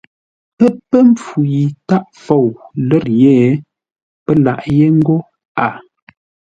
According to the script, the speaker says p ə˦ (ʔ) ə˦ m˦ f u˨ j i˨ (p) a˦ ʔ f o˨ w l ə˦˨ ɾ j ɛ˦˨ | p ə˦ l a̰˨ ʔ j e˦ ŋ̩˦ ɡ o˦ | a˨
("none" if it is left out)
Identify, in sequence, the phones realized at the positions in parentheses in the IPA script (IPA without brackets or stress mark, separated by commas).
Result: p, t